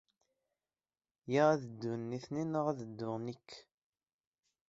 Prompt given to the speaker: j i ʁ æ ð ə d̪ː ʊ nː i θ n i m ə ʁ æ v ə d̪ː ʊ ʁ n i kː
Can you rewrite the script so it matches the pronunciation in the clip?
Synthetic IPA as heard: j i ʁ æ ð ə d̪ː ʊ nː i θ n i n ə ʁ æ ð ə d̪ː ʊ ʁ n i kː